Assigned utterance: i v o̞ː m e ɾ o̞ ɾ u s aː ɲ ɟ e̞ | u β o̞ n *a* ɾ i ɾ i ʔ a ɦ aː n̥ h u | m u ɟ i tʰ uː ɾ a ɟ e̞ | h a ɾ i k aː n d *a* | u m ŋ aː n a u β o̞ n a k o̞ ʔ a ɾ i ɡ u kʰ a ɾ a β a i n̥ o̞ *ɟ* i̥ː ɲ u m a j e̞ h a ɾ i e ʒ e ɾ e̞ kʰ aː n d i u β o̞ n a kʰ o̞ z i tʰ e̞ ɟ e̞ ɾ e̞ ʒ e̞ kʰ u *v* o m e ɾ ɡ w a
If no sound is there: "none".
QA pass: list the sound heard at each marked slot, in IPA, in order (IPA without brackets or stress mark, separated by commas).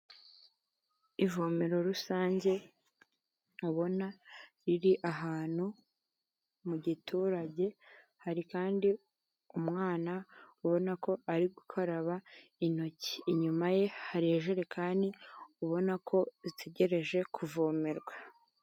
a, i, c, v